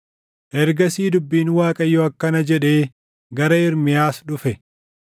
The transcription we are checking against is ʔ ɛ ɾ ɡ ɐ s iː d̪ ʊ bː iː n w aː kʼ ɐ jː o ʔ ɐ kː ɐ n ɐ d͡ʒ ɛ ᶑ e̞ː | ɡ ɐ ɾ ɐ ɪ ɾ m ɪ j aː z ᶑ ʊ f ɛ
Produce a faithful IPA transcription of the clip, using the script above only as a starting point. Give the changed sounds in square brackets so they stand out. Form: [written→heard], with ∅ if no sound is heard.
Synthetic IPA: ʔ ɛ ɾ ɡ ɐ s iː d̪ ʊ bː iː n w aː kʼ ɐ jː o [ʔ→∅] ɐ kː ɐ n ɐ d͡ʒ ɛ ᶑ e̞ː | ɡ ɐ ɾ ɐ ɪ ɾ m ɪ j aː [z→s] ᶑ ʊ f ɛ